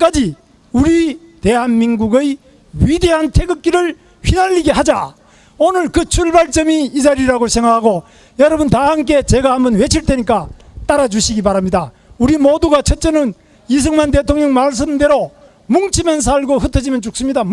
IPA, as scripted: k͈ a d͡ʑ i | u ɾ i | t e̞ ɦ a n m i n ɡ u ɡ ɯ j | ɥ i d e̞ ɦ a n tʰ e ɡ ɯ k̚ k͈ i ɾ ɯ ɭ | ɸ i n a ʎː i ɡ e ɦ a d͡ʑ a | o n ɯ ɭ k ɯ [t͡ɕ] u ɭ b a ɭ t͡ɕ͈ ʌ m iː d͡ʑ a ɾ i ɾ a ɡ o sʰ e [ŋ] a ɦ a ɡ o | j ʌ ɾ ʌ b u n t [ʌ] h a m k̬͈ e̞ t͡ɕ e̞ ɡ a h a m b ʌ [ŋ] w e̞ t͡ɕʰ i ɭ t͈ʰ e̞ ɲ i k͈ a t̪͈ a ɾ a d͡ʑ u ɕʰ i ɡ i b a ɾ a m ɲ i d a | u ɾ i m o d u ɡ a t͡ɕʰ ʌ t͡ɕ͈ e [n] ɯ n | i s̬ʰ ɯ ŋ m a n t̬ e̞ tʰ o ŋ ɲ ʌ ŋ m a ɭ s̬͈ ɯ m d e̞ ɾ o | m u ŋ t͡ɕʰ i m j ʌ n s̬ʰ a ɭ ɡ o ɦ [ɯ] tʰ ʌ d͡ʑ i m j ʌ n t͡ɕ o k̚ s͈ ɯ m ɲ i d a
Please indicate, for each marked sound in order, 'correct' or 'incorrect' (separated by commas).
incorrect, correct, incorrect, incorrect, correct, correct